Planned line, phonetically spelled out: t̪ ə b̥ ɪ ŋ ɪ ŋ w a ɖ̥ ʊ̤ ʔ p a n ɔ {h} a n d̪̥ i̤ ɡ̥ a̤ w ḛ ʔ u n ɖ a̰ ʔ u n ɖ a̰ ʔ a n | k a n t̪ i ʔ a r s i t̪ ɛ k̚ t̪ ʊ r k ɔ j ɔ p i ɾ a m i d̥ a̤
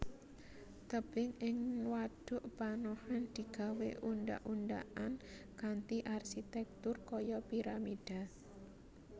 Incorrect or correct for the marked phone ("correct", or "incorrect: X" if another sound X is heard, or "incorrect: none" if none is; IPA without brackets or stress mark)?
correct